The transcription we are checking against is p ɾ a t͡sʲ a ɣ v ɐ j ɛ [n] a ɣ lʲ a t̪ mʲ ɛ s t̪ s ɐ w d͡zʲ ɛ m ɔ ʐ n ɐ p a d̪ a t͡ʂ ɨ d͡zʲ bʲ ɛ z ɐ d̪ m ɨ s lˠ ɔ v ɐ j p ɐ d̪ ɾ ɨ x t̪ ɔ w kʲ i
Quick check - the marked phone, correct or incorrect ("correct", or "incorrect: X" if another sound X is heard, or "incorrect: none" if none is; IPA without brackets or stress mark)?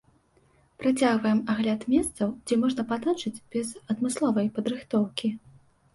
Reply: incorrect: m